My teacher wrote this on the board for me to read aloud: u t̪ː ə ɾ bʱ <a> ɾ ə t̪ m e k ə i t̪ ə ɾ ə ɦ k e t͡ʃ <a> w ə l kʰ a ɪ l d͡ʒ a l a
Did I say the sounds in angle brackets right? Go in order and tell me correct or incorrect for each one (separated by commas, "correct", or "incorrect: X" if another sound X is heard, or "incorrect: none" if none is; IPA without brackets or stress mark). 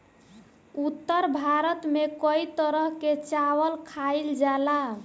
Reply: correct, correct